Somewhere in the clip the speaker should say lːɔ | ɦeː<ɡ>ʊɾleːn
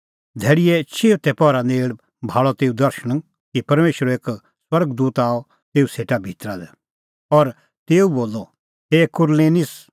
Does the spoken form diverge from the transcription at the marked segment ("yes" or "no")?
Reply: yes